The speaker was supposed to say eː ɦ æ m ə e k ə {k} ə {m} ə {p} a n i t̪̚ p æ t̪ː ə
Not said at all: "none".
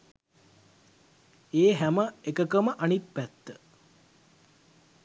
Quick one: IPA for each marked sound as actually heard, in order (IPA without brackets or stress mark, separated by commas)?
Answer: k, m, ʔ